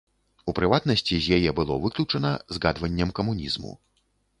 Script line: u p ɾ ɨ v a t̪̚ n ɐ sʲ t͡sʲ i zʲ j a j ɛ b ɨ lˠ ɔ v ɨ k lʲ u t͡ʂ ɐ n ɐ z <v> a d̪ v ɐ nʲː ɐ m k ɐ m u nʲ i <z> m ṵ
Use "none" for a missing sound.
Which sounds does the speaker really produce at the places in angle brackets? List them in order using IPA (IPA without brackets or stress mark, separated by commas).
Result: ɣ, z